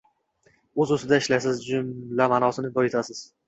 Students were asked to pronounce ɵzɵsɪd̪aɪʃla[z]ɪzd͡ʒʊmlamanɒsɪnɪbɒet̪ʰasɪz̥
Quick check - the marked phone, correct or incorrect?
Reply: incorrect